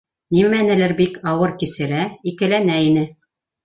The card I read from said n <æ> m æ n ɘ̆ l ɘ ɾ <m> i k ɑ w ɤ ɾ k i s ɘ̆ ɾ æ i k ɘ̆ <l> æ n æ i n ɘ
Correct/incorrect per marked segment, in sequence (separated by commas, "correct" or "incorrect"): incorrect, incorrect, correct